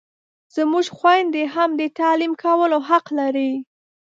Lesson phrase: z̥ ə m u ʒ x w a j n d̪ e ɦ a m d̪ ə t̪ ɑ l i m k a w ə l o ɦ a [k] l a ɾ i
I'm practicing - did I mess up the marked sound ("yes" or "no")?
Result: yes